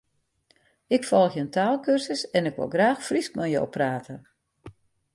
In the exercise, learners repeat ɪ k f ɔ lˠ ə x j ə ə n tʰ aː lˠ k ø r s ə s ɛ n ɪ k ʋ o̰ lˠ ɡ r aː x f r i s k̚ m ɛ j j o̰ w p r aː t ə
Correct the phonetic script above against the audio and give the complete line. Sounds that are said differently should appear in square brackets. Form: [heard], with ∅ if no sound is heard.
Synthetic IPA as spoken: ɪ k f ɔ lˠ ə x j ə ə n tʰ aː lˠ k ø r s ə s ɛ n ɪ k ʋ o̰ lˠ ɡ r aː x f r i s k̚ m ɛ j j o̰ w p r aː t ə